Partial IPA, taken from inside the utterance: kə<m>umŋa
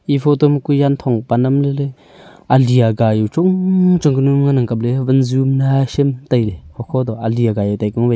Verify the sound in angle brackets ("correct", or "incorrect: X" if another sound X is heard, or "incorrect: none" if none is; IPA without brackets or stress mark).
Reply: incorrect: n